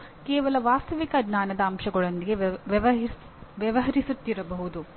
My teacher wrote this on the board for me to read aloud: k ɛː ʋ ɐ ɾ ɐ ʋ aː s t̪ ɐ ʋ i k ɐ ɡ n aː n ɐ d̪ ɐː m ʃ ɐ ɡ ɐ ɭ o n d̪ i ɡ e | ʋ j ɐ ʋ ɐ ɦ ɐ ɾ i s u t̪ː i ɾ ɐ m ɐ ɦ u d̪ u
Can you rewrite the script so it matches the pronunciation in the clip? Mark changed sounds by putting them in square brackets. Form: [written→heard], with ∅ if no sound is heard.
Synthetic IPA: k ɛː ʋ ɐ [ɾ→l] ɐ ʋ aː s t̪ ɐ ʋ i k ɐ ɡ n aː n ɐ d̪ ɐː m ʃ ɐ ɡ ɐ ɭ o n d̪ i ɡ e | ʋ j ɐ ʋ ɐ ɦ ɐ ɾ i s u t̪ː i ɾ ɐ [m→b] ɐ ɦ u d̪ u

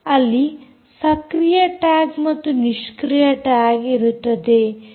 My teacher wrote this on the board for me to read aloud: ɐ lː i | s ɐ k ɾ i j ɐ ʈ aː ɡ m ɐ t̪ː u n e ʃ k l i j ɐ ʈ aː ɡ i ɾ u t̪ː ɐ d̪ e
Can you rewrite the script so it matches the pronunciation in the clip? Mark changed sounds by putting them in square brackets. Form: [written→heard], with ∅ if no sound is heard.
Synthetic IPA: ɐ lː i | s ɐ k ɾ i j ɐ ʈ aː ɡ m ɐ t̪ː u n [e→i] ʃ k [l→ɾ] i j ɐ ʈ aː ɡ i ɾ u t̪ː ɐ d̪ e

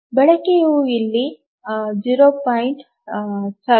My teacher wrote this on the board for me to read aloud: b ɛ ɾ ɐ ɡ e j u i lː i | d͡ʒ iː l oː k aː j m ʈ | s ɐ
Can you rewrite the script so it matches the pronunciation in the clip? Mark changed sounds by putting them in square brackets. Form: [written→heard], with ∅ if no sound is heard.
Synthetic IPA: b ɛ [ɾ→ɭ] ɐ [ɡ→k] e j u i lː i | d͡ʒ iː [l→ɾ] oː [k→p] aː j [m→ɳ] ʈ | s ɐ

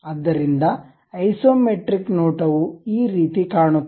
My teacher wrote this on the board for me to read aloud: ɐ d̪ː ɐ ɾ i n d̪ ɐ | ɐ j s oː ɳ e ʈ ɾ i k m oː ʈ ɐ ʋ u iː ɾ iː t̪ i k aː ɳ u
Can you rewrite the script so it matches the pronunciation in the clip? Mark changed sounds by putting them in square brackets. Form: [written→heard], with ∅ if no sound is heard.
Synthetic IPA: ɐ d̪ː ɐ ɾ i n d̪ ɐ | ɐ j s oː [ɳ→m] e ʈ ɾ i k [m→n] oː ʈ ɐ ʋ u iː ɾ iː t̪ i k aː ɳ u

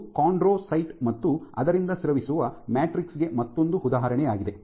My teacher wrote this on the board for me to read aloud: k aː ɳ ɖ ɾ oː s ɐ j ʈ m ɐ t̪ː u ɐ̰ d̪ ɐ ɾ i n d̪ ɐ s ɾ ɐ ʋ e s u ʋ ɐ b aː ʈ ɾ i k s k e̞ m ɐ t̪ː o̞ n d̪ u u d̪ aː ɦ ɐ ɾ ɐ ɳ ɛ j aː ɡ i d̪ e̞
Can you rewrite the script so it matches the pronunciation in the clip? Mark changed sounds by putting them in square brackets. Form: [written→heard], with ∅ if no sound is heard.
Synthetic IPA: k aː ɳ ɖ ɾ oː s ɐ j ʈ m ɐ t̪ː u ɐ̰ d̪ ɐ ɾ i n d̪ ɐ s ɾ ɐ ʋ [e→i] s u ʋ ɐ [b→m] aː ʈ ɾ i k s [k→ɡ] e̞ m ɐ t̪ː o̞ n d̪ u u d̪ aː ɦ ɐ ɾ ɐ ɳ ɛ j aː ɡ i d̪ e̞

